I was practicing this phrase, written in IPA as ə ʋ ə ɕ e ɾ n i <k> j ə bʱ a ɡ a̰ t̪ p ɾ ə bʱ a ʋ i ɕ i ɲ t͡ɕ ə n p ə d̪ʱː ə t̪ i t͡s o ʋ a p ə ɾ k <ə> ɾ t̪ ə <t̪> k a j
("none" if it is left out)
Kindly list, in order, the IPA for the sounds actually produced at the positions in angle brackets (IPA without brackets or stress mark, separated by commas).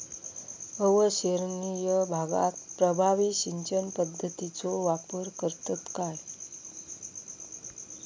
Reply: none, ə, t̪